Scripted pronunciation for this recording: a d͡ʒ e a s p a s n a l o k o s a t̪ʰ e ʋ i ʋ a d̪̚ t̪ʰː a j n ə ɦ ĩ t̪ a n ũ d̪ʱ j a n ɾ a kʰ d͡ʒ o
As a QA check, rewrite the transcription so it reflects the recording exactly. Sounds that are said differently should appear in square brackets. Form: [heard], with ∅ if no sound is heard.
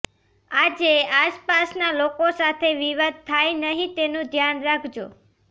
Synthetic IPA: a d͡ʒ e a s p a s n a l o k o s a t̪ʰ e ʋ i ʋ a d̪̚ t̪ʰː a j n ə ɦ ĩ t̪ [e] n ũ d̪ʱ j a n ɾ a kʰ d͡ʒ o